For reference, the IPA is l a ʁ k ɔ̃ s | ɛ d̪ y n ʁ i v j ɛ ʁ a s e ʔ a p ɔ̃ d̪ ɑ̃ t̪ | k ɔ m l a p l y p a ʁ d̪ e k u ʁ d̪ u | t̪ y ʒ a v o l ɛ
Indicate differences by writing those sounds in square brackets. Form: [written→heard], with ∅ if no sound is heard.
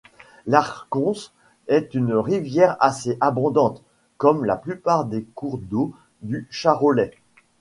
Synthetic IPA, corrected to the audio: l a ʁ k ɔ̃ s | ɛ [d̪→t̪] y n ʁ i v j ɛ ʁ a s e ʔ a [p→b] ɔ̃ d̪ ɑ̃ t̪ | k ɔ m l a p l y p a ʁ d̪ e k u ʁ d̪ [u→o] | [t̪→d̪] y [ʒ→ʃ] a [v→ʁ] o l ɛ